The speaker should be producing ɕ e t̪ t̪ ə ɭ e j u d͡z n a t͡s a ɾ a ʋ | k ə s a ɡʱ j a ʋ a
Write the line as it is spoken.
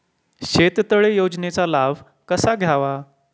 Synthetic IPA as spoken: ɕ e t̪ t̪ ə ɭ e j o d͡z n e t͡s a l a ʋ | k ə s a ɡʱ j a ʋ a

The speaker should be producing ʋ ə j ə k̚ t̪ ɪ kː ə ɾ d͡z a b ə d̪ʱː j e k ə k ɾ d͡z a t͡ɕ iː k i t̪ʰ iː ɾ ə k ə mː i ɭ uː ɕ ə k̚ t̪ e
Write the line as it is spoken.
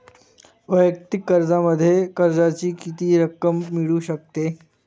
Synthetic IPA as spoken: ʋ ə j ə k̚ t̪ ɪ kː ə ɾ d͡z a m ə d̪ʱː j e k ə ɾ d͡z a t͡ɕ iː k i t̪ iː ɾ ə k ə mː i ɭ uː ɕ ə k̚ t̪ e

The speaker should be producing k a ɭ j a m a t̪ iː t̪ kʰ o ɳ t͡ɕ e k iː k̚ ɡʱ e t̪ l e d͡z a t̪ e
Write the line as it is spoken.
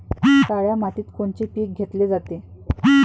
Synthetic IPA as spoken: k a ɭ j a m a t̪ iː t̪ k o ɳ t͡ɕ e p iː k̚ ɡʱ e t̪ l e d͡z a t̪ e

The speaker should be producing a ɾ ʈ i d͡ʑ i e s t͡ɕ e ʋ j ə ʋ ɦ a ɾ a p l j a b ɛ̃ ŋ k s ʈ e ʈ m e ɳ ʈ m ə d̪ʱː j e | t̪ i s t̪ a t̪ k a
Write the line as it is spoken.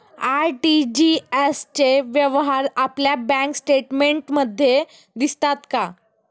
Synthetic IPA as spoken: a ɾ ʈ i d͡ʑ i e s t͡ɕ e ʋ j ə ʋ ɦ a ɾ a p l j a b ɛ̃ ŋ k s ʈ e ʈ m e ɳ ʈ m ə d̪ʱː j e | d̪ i s t̪ a t̪ k a

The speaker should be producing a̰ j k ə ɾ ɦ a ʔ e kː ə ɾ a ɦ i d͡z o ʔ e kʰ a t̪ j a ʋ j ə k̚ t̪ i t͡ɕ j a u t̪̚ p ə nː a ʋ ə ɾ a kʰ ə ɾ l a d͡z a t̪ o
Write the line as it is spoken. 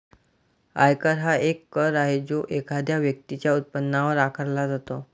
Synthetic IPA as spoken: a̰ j k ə ɾ ɦ a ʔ e kː ə ɾ a ɦ e d͡z o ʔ e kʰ a d̪ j a ʋ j ə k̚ t̪ i t͡ɕ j a u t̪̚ p ə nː a ʋ ə ɾ a kʰ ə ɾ l a d͡z a t̪ o

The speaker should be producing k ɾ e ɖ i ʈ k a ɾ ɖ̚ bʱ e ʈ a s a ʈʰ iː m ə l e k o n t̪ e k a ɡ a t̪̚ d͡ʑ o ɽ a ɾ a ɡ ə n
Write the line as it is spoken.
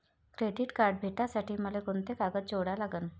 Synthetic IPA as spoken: k ɾ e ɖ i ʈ k a ɾ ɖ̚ bʱ e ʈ a s a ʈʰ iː m ə l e k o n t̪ e k a ɡ ə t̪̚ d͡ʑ o ɽ a l a ɡ ə n

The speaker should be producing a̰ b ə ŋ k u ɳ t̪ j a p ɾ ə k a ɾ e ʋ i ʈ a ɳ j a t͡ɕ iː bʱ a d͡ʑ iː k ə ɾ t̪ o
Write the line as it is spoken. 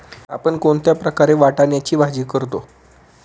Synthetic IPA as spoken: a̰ p ə ɳ k o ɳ t̪ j a p ɾ ə k a ɾ e ʋ a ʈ a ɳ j a t͡ɕ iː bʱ a d͡ʑ iː k ə ɾ t̪ o

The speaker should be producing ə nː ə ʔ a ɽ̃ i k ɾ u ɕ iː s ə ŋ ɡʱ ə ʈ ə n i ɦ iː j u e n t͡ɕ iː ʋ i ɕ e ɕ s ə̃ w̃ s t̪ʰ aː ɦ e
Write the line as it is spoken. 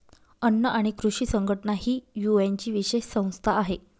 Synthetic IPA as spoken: ə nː ə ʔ a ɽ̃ i k ɾ u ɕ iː s ə ŋ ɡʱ ə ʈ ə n a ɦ iː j u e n t͡ɕ iː ʋ i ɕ e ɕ s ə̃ w̃ s t̪ʰ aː ɦ e

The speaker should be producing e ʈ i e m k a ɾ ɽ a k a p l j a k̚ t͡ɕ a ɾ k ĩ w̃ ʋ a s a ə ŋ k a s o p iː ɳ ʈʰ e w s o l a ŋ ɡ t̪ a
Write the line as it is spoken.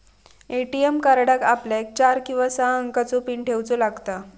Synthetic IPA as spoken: e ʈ i e m k a ɾ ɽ a k a p l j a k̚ t͡ɕ a ɾ k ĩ w̃ ʋ a s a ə ŋ k a t͡s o p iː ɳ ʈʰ e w t͡s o l a ɡ t̪ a

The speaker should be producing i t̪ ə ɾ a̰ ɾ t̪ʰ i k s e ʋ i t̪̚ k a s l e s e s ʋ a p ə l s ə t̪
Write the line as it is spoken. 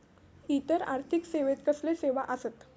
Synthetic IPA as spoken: i t̪ ə ɾ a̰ ɾ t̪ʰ i k s e ʋ e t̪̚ k ə s l e s e ʋ a ʔ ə s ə t̪

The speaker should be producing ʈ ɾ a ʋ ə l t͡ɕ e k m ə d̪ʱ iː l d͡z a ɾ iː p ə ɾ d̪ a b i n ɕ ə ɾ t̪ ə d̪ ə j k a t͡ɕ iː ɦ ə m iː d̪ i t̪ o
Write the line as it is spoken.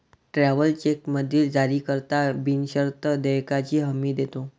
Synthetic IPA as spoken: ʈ ɾ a ʋ ə l t͡ɕ e k m ə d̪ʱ iː l d͡z a ɾ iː k ə ɾ t̪ a b i n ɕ ə ɾ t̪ ə d̪ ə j k a t͡ɕ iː ɦ ə m iː d̪ e t̪ o

